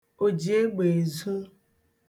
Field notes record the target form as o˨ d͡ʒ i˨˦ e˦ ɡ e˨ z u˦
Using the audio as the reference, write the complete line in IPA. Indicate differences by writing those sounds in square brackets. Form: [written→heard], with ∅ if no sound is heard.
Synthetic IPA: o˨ d͡ʒ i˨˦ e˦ [ɡ→ɡ͡b] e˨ z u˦